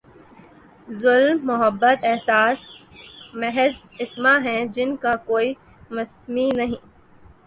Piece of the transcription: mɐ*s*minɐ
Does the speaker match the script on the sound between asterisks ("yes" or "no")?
yes